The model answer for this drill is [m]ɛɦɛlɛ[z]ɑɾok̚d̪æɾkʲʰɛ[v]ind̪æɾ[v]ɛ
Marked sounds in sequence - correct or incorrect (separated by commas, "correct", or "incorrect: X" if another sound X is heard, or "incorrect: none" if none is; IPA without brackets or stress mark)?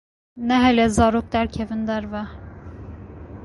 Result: incorrect: n, correct, correct, correct